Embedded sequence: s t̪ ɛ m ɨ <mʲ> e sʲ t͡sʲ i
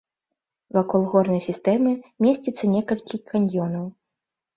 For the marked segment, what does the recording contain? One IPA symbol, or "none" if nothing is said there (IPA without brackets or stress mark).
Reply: mʲ